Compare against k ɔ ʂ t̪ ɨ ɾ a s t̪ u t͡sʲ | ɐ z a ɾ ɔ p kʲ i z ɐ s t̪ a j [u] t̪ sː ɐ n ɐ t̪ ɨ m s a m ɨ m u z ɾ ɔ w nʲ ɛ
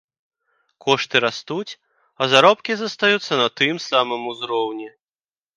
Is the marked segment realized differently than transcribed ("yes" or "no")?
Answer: no